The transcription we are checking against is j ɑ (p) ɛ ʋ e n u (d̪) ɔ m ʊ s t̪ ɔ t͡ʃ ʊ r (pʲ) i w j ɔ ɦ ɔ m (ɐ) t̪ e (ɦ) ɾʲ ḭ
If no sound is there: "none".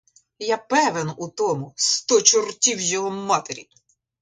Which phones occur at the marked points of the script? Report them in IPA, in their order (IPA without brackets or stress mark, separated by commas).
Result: p, t̪, tʲ, ɑ, none